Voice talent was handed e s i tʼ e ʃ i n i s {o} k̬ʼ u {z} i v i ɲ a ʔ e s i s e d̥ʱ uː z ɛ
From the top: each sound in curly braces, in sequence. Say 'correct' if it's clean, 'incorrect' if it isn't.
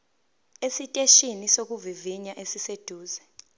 correct, incorrect: v

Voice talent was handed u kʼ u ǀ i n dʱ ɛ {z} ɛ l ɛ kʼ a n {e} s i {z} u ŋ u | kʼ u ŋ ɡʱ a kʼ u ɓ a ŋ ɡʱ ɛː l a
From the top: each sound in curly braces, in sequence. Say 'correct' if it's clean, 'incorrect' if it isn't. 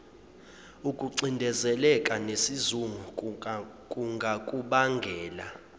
correct, correct, correct

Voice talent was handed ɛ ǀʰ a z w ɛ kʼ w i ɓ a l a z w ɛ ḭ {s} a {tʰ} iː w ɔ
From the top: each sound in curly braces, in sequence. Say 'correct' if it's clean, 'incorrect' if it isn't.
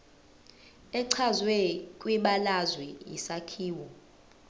correct, incorrect: kʰ

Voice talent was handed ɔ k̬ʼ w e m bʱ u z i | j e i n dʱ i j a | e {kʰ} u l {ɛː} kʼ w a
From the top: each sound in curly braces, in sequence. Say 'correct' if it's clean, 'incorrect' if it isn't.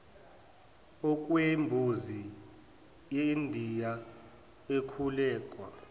correct, correct

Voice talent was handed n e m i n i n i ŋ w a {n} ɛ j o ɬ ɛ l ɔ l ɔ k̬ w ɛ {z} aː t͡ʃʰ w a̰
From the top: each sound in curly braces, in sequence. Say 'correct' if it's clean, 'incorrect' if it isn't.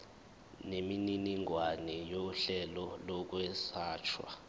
correct, incorrect: s

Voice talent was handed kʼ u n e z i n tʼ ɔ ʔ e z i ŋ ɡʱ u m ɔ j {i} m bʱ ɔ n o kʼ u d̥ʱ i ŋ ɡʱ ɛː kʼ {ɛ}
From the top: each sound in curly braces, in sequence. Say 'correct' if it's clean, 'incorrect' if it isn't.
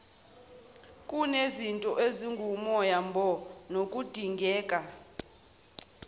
incorrect: a, incorrect: a

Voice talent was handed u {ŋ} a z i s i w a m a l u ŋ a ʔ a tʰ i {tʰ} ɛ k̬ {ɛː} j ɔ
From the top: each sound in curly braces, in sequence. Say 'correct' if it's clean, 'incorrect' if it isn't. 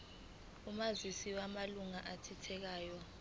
incorrect: m, correct, incorrect: aː

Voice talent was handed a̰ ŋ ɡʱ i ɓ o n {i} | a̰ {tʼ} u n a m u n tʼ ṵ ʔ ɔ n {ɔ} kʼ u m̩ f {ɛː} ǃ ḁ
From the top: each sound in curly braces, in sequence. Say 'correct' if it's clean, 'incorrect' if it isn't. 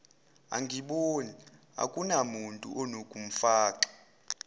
correct, incorrect: kʼ, incorrect: o, incorrect: aː

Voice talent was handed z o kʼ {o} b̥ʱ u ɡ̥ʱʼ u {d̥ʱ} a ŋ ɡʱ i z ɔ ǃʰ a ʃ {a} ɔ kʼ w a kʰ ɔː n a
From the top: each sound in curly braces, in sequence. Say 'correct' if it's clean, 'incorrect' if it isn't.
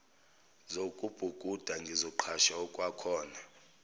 incorrect: u, correct, correct

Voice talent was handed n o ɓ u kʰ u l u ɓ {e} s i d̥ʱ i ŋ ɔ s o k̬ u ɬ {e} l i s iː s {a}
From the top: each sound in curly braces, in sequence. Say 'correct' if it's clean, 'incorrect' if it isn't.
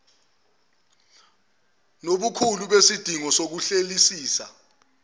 correct, correct, correct

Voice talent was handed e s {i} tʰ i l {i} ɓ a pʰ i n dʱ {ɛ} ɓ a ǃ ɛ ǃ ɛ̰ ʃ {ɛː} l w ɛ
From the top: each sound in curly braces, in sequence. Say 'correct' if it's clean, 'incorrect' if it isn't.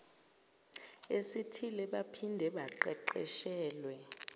correct, incorrect: ɛ, correct, correct

